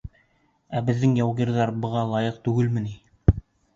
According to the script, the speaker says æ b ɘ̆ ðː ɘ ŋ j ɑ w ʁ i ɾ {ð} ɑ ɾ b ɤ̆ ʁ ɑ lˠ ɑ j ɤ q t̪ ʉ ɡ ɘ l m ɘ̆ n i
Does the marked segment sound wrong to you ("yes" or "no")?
no